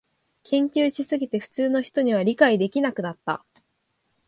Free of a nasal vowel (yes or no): no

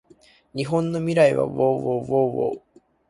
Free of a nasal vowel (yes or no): no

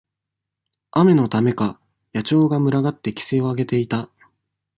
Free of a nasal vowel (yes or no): yes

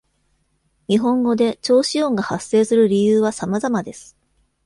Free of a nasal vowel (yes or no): no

